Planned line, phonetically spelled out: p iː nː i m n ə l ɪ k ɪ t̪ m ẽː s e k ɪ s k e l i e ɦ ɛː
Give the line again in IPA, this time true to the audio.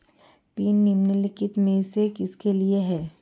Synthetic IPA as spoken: p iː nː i m n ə l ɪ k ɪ t̪ m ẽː s e k ɪ s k e l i e ɦ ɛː

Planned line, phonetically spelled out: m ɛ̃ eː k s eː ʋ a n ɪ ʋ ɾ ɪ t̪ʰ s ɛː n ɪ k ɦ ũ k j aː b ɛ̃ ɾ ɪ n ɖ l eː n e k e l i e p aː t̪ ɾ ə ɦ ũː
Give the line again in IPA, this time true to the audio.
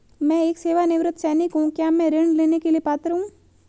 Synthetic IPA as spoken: m ɛ̃ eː k s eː ʋ a n ɪ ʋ ɾ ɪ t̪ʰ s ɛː n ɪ k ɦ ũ k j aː m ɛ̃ ɾ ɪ ɳ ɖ l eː n e k e l i e p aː t̪ ɾ ə ɦ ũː

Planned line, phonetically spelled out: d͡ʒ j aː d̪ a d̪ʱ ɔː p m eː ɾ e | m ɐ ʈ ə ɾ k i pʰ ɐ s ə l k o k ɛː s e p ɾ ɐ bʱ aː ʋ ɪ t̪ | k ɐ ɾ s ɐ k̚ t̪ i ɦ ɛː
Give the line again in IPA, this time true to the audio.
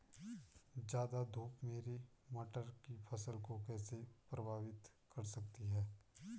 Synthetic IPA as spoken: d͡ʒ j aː d̪ a d̪ʱ uː p m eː ɾ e | m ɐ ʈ ə ɾ k i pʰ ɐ s ə l k o k ɛː s e p ɾ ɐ bʱ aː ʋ ɪ t̪ | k ɐ ɾ s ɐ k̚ t̪ i ɦ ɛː

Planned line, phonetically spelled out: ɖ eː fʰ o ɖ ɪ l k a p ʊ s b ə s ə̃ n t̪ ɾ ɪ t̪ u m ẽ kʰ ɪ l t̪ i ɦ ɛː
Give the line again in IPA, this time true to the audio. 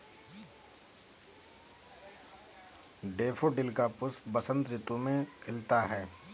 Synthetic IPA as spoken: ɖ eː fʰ o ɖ ɪ l k a p ʊ s b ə s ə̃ n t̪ ɾ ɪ t̪ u m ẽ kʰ ɪ l t̪ a ɦ ɛː

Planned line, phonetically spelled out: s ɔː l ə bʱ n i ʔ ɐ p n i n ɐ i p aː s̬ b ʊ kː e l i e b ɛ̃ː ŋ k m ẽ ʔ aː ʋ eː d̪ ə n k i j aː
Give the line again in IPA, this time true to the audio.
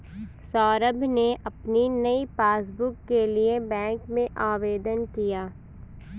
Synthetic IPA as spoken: s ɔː ɾ ə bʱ n e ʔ ɐ p n i n ɐ i p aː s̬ b ʊ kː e l i e b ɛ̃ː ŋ k m ẽ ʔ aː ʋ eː d̪ ə n k i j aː

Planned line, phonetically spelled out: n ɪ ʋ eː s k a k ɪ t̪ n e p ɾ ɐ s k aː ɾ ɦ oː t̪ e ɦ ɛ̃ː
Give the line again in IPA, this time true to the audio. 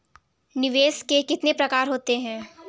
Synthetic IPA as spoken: n ɪ ʋ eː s k e k ɪ t̪ n e p ɾ ɐ k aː ɾ ɦ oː t̪ e ɦ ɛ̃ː

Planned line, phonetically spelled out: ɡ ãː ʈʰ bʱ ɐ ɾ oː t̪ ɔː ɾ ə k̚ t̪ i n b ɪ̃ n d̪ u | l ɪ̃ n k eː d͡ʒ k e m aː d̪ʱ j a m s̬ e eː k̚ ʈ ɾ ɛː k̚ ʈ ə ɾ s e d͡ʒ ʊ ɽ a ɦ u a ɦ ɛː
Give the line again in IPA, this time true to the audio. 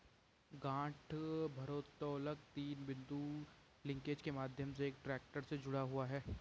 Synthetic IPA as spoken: ɡ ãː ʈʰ bʱ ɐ ɾ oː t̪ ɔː l ə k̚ t̪ iː n b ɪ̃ n d̪ u | l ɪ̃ ŋ k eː d͡ʒ k e m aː d̪ʱ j ə m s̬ e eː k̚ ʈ ɾ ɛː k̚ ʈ ə ɾ s e d͡ʒ ʊ ɽ a ɦ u a ɦ ɛː

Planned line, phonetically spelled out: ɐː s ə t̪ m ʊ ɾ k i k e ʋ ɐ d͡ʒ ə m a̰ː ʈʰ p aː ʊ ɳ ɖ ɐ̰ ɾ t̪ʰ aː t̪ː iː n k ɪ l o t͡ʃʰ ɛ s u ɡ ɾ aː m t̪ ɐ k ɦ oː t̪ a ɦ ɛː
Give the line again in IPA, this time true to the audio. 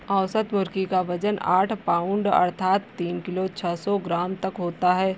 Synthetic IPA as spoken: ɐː s ə t̪ m ʊ ɾ k i k a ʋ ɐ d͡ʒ ə n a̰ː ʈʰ p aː ʊ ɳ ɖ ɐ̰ ɾ t̪ʰ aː t̪ː iː n k ɪ l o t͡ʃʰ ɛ s ɔ ɡ ɾ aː m t̪ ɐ k ɦ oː t̪ a ɦ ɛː

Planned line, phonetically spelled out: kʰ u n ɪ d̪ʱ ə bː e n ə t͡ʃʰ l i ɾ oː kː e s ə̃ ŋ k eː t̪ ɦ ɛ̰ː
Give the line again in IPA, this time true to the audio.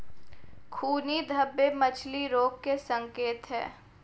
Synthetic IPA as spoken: kʰ uː n i d̪ʱ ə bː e m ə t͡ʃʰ l i ɾ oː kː e s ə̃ ŋ k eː t̪ ɦ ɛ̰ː

